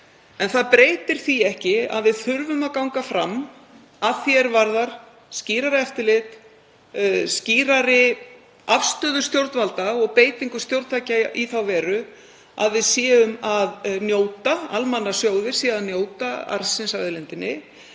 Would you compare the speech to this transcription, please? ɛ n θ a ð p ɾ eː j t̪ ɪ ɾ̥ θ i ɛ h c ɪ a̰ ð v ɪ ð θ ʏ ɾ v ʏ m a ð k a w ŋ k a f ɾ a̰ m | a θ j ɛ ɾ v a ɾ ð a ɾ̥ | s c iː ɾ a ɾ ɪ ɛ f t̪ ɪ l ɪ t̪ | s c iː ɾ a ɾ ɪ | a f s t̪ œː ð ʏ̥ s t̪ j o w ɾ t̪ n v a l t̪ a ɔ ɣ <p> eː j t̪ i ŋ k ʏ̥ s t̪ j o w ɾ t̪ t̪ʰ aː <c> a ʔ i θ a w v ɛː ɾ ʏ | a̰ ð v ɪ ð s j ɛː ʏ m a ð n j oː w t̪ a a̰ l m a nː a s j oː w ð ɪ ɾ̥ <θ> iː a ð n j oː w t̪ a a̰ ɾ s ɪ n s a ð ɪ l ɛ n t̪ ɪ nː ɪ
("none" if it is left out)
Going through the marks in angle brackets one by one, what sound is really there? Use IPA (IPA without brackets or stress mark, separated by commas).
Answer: p, c, s